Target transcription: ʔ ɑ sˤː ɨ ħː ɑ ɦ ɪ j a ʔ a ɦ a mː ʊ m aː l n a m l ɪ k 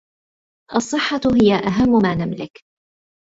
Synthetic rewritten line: ʔ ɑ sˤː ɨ ħː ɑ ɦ ɪ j a ʔ a ɦ a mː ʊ m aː n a m l ɪ k